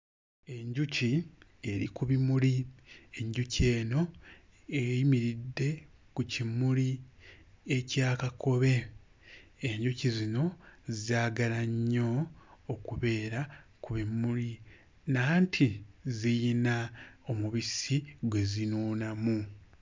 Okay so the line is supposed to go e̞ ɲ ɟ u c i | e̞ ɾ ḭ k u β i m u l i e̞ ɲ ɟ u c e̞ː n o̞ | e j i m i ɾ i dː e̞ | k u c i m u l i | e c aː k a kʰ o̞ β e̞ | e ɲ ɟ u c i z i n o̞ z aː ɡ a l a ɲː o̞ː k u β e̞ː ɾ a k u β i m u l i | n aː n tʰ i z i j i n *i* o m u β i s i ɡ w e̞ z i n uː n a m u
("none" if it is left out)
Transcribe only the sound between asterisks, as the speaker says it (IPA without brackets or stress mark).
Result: a